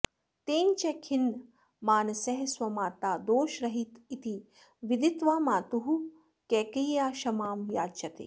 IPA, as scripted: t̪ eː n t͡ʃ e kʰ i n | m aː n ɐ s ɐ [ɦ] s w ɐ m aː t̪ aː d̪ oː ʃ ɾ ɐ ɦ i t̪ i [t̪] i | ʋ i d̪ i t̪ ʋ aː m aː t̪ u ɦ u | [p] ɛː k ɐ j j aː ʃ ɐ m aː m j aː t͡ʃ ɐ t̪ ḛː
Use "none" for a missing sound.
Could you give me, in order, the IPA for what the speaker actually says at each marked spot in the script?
ɦ, t̪, k

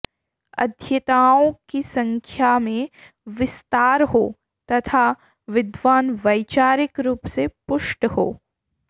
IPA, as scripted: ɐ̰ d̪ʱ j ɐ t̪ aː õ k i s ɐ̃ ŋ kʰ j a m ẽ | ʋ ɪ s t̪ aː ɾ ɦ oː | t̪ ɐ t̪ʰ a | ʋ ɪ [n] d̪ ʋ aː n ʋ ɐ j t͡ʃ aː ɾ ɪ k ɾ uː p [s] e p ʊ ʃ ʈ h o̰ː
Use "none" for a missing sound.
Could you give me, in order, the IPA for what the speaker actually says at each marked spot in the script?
none, s

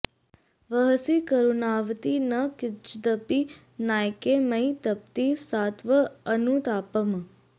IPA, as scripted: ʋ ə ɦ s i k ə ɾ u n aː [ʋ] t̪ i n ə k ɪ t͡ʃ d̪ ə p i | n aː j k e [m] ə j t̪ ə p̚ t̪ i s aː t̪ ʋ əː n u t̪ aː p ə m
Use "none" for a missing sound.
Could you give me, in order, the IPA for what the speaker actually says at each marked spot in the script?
ʋ, m

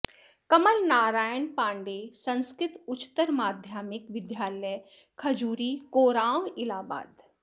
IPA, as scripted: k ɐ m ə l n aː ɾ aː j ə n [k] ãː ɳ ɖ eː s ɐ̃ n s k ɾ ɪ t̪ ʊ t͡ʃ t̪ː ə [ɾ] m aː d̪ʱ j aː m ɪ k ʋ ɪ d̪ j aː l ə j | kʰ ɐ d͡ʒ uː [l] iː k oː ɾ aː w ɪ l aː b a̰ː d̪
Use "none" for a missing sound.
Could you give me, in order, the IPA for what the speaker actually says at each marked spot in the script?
p, ɾ, ɾ

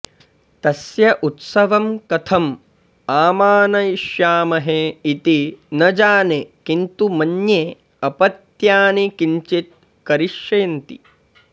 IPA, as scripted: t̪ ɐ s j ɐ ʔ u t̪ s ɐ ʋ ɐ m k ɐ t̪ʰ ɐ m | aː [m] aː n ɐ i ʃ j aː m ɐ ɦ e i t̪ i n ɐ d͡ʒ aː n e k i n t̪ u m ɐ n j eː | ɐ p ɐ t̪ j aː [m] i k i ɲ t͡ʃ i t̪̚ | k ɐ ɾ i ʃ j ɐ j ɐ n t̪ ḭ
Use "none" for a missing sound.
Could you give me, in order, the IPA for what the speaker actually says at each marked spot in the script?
m, n

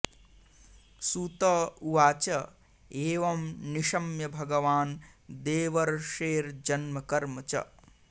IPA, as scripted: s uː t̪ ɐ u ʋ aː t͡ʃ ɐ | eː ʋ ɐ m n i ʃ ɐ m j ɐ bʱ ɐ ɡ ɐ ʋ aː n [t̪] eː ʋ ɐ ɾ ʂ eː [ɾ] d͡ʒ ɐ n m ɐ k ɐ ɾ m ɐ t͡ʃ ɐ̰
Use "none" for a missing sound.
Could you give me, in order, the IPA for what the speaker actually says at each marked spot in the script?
d̪, ɾ

